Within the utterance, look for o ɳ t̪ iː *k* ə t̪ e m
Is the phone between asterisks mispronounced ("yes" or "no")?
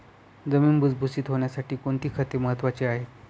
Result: yes